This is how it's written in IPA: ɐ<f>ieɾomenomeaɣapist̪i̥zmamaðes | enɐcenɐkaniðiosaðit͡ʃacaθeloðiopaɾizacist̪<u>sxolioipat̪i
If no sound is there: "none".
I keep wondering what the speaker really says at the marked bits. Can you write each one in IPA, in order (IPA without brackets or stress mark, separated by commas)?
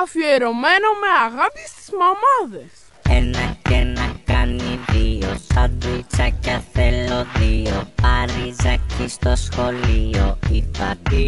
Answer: f, o